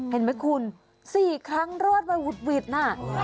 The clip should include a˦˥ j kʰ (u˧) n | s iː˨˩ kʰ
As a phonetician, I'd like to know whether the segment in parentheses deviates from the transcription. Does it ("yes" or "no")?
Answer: no